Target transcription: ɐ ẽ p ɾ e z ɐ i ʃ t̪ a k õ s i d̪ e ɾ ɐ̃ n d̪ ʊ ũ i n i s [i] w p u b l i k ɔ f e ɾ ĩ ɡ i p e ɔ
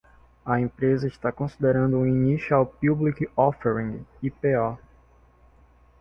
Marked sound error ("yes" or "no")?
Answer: yes